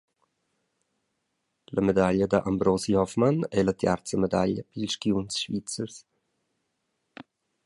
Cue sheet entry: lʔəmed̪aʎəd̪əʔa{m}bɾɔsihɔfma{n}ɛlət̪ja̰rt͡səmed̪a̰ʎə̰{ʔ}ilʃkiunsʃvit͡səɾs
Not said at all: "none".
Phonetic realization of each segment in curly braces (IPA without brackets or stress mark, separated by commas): m, n, p